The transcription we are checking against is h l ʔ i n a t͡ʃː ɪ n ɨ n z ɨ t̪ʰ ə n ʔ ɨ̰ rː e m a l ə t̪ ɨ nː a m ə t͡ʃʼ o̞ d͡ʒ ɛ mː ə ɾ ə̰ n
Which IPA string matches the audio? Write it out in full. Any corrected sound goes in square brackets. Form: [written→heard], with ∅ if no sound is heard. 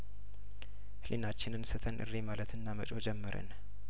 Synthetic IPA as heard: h l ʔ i n a t͡ʃː ɪ n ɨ n [z→s] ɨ t̪ʰ ə n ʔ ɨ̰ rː e m a l ə t̪ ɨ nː a m ə t͡ʃʼ o̞ d͡ʒ ɛ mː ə ɾ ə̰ n